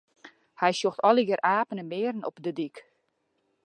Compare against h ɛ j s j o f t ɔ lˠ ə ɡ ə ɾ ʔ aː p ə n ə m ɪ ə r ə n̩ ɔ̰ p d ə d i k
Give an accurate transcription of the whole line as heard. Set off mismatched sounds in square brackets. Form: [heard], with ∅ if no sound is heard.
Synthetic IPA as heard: h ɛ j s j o [x] t ɔ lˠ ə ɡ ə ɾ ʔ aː p ə n ə m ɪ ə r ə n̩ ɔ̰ p d ə d i k

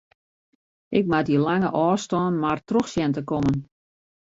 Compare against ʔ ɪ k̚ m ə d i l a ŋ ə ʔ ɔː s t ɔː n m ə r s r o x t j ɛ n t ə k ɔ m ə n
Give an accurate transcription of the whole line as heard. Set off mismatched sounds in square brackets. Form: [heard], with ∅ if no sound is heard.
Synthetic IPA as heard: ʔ ɪ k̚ m [a] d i l a ŋ ə ʔ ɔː s t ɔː n m [a] r [t] r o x [s] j ɛ n t ə k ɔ m ə n

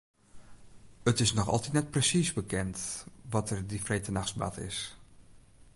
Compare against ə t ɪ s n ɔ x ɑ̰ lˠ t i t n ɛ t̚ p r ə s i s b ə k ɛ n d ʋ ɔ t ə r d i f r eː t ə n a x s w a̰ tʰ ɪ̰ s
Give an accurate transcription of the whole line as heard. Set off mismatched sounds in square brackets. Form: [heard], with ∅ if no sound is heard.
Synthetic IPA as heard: ə t ɪ s n ɔ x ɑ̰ lˠ t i t n ɛ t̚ p r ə s i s b ə k ɛ n [t] ʋ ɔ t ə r d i f r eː t ə n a x s [b] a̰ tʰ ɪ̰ s

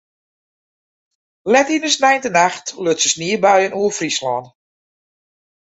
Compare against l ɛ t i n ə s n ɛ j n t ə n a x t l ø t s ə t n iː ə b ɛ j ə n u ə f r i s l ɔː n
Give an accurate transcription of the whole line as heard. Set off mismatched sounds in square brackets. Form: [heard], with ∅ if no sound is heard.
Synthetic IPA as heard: l ɛ t i n ə s n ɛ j n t ə n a x t l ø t s ə [s] n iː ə b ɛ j ə n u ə f r i s l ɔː n

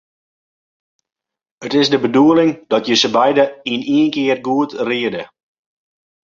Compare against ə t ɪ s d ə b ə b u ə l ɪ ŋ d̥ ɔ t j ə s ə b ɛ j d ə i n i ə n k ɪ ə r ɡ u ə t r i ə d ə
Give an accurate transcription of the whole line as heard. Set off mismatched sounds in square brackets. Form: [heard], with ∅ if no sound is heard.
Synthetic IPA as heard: ə t ɪ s d ə b ə [d] u ə l ɪ ŋ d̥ ɔ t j ə s ə b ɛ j d ə i n i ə n k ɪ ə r ɡ u ə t r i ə d ə

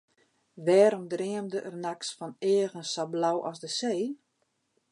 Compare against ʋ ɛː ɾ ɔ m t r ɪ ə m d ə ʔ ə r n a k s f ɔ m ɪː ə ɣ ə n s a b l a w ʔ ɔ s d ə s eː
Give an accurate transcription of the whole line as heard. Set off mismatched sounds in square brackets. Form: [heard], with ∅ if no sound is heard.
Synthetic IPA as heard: ʋ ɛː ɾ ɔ m [d] r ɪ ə m d ə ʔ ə r n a k s f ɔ [n] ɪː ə ɣ ə n s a b l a w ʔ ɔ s d ə s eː

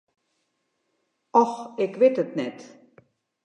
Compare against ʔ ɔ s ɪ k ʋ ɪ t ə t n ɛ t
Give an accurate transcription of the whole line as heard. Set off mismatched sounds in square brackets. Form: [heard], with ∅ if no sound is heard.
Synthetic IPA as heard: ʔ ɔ [x] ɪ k ʋ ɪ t ə t n ɛ t

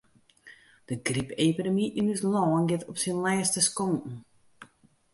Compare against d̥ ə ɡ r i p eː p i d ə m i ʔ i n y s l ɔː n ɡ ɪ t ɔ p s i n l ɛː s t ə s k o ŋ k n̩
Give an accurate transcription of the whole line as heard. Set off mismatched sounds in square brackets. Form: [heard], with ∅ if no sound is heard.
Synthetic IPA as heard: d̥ ə ɡ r i p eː p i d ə m i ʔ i n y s l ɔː n ɡ ɪ t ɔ p s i n l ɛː s t ə s k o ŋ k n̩

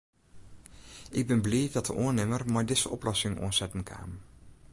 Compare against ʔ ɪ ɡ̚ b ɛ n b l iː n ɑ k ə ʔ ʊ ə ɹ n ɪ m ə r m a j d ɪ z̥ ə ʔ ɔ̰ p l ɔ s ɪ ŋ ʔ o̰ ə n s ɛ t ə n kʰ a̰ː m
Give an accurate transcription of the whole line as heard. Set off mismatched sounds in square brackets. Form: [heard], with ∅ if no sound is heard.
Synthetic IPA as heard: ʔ ɪ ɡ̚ b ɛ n b l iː [d] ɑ [t] ə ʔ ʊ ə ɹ n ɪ m ə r m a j d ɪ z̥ ə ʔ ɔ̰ p l ɔ s ɪ ŋ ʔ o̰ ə n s ɛ t ə n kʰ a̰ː m

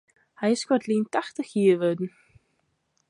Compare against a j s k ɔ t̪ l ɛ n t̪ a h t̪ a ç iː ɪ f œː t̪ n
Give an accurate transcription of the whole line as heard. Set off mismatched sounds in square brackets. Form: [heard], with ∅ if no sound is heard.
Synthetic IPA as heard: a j s k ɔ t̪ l [i] n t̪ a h t̪ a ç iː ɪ [v] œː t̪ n

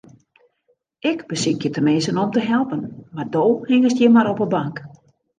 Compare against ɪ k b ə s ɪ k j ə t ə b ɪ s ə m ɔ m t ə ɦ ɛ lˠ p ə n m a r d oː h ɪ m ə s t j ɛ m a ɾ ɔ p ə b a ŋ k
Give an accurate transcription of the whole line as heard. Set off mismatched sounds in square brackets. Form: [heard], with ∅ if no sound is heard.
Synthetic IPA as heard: ɪ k b ə s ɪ k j ə t ə [m] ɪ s ə [n] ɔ m t ə ɦ ɛ lˠ p ə n m a r d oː h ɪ [ŋ] ə s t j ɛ m a ɾ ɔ p ə b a ŋ k

